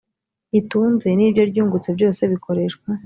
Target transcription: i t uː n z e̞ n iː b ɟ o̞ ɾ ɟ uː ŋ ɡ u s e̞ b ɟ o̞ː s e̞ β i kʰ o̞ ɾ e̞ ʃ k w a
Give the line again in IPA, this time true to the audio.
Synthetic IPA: i t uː n z e̞ n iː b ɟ o̞ ɾ ɟ uː ŋ ɡ u t͡s e̞ b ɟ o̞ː s e̞ β i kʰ o̞ ɾ e̞ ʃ k w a